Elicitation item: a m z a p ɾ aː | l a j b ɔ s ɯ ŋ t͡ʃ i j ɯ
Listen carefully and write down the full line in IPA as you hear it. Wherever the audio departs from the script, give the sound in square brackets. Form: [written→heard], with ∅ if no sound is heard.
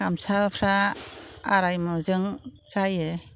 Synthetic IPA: a m [z→s] a [p→pʰ] ɾ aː | [l→ɾ] a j [b→m] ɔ [s→z] ɯ ŋ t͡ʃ [i→a] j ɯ